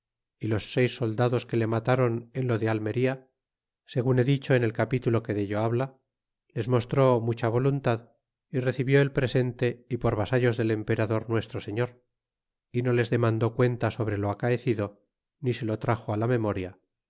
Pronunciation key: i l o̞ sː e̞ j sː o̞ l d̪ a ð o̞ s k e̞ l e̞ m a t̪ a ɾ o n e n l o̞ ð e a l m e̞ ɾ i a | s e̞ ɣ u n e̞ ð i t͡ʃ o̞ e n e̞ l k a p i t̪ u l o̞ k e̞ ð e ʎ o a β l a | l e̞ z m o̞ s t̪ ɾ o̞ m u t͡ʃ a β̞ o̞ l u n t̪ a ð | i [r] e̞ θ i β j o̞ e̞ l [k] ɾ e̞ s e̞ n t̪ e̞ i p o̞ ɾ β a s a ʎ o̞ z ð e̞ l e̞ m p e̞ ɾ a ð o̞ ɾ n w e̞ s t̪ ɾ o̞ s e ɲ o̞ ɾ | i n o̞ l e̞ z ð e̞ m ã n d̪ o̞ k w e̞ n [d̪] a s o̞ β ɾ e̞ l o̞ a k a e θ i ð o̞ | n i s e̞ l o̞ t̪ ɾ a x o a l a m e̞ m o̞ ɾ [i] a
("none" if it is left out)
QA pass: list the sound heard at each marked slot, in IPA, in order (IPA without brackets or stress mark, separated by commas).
r, p, t̪, j